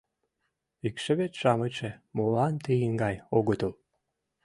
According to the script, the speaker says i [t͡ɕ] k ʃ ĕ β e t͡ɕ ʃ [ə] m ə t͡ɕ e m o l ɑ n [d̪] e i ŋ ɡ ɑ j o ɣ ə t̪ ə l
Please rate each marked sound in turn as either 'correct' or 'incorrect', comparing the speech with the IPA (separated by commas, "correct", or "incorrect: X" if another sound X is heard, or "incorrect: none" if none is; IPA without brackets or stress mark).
incorrect: none, incorrect: ɑ, incorrect: t̪